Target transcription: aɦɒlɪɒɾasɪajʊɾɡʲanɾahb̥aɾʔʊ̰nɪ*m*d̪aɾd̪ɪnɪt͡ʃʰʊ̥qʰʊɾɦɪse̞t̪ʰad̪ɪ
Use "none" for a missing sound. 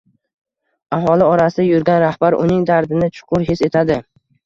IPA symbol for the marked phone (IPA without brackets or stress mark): ŋ